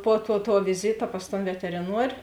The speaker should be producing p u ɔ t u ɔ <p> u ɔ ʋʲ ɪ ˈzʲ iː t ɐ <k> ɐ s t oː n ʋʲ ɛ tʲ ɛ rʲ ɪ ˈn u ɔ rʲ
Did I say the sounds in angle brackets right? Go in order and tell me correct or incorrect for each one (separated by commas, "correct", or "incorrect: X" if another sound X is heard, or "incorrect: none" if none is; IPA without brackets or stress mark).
incorrect: t, incorrect: p